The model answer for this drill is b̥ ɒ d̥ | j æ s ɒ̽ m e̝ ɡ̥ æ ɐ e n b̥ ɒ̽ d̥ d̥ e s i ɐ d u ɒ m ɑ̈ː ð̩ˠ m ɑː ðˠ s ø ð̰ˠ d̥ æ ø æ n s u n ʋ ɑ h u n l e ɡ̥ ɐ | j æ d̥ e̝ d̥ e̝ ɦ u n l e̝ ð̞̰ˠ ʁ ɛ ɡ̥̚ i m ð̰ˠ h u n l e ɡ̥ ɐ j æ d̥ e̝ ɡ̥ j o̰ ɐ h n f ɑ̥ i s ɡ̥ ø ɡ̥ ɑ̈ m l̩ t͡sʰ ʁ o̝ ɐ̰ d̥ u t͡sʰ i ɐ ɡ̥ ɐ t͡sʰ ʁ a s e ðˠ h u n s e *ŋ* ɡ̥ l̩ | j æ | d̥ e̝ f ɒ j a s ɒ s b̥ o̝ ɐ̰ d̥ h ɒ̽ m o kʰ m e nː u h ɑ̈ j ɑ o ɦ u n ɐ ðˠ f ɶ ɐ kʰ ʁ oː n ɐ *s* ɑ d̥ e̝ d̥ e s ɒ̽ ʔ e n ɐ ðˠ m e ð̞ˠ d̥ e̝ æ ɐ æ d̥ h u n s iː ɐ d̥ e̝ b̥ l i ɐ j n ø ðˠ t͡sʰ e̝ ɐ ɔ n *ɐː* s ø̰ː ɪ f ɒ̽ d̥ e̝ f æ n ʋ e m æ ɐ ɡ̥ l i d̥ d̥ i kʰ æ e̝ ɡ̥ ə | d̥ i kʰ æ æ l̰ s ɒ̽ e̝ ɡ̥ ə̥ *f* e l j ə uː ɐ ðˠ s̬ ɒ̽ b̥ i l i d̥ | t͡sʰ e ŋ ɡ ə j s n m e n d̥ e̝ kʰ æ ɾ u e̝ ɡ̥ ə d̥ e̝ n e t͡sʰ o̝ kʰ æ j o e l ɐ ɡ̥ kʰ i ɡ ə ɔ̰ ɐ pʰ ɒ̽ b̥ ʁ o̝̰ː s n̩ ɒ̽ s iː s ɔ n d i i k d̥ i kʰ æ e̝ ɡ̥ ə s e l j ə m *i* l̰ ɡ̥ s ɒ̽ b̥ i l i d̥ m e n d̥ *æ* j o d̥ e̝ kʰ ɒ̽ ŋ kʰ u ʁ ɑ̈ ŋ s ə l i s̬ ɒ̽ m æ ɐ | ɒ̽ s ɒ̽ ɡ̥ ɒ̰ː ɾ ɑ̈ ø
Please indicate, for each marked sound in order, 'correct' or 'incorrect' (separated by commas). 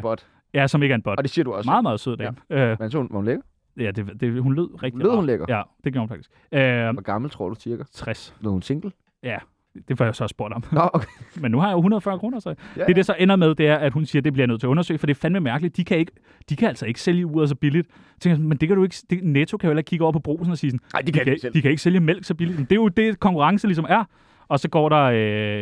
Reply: correct, correct, incorrect, incorrect, incorrect, incorrect